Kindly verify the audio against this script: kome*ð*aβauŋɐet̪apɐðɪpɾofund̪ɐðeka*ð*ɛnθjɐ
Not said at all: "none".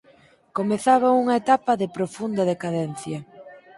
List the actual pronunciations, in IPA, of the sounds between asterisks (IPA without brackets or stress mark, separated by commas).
θ, ð